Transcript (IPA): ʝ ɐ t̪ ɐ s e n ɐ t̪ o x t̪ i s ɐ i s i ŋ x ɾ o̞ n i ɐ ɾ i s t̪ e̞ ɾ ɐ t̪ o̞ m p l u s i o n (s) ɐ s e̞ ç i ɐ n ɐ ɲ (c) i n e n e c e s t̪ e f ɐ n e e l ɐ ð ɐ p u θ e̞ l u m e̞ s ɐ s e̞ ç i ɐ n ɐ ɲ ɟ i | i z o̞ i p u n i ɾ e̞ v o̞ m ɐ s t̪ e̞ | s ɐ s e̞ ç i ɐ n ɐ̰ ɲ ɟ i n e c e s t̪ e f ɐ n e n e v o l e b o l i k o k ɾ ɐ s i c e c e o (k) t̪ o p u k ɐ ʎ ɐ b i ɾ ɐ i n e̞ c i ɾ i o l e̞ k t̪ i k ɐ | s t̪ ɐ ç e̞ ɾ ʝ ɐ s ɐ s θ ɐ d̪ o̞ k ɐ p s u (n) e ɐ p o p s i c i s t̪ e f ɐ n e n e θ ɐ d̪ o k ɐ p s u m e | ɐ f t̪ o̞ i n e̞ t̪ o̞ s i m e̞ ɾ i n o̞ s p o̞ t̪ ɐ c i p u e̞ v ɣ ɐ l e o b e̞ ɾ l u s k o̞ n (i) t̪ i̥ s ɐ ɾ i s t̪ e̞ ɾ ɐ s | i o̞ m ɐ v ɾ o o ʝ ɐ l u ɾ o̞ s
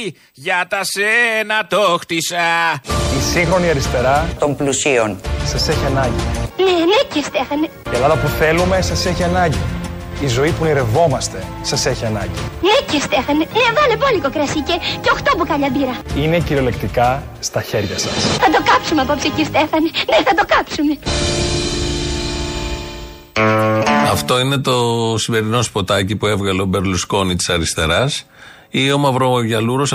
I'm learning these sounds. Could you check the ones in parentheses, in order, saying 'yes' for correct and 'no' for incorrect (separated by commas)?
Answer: yes, no, no, no, yes